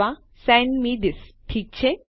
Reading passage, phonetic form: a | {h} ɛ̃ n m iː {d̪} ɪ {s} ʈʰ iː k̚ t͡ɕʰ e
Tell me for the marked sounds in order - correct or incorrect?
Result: incorrect: s, correct, correct

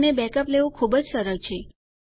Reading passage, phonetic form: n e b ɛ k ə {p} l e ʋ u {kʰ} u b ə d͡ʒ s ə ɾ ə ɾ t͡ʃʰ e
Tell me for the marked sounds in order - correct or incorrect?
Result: correct, correct

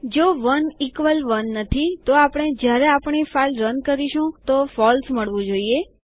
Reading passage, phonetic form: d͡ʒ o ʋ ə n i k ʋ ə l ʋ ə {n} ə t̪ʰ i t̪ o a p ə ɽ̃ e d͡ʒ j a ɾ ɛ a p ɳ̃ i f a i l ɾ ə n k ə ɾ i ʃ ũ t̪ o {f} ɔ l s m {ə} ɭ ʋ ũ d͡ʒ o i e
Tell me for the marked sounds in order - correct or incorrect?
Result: incorrect: nː, correct, correct

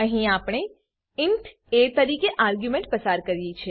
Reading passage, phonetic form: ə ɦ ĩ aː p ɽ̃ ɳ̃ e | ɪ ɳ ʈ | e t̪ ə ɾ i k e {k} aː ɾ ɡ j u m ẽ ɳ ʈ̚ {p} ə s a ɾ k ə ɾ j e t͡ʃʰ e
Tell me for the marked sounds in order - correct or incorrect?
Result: incorrect: ʔ, correct

